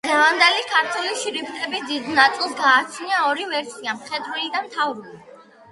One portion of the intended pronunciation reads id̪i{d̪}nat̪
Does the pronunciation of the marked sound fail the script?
no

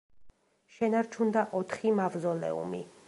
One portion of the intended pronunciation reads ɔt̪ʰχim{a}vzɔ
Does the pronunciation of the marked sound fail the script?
no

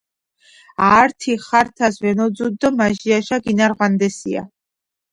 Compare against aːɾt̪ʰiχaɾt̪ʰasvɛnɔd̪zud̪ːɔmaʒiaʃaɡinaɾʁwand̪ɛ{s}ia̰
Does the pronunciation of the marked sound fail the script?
no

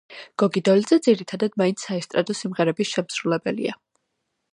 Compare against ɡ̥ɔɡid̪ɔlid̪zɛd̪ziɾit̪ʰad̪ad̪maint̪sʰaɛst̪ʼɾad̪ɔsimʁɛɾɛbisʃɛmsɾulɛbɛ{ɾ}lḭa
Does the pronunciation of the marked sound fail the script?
yes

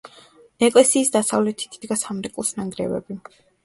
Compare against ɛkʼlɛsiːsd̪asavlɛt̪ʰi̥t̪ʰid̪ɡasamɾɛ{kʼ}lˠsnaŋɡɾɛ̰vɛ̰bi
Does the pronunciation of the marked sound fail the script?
no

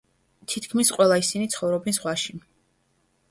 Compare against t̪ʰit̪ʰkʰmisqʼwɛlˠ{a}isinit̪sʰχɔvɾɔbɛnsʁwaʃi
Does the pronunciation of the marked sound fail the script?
no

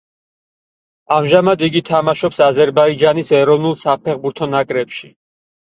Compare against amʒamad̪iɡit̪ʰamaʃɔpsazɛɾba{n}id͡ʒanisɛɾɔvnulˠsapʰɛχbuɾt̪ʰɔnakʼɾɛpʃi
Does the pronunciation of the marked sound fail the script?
yes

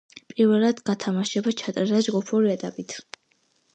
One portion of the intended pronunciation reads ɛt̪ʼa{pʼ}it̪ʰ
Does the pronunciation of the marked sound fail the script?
no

